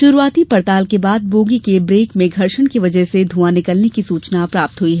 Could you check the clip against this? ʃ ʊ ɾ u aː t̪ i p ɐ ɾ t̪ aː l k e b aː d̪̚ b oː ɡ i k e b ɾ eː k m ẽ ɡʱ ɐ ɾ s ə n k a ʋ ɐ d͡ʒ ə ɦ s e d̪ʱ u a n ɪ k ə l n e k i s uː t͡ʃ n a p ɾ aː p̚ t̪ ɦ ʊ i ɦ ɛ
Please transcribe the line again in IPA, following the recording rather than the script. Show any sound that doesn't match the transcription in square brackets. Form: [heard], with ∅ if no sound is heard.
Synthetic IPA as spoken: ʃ ʊ ɾ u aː t̪ i p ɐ ɾ t̪ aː l k e b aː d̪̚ b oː ɡ i k e b ɾ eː k m ẽ ɡʱ ɐ ɾ [ʃ] ə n k [i] ʋ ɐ d͡ʒ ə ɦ s e d̪ʱ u a n ɪ k ə l n e k i s uː t͡ʃ n a p ɾ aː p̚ t̪ ɦ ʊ i ɦ ɛ